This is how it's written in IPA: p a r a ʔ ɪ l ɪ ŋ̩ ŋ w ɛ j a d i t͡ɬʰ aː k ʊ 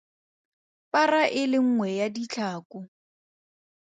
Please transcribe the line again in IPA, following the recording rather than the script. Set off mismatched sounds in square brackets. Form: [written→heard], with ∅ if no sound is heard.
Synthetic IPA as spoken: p a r a ʔ ɪ l ɪ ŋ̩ ŋ w ɛ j a d i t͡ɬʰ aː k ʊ